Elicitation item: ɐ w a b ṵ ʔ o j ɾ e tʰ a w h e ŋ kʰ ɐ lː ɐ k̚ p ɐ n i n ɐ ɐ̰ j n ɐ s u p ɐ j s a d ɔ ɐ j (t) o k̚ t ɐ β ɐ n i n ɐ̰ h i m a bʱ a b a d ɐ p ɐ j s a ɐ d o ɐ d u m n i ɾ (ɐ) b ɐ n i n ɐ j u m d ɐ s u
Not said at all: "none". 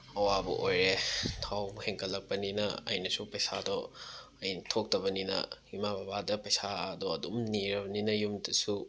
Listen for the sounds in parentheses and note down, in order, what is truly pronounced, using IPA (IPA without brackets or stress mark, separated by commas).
tʰ, ɐ